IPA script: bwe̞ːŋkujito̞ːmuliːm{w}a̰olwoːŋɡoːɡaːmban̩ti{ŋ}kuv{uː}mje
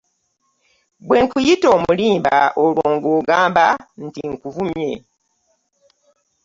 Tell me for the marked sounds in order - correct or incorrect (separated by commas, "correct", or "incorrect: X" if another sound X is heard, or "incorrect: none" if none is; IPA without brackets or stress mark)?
incorrect: b, correct, incorrect: u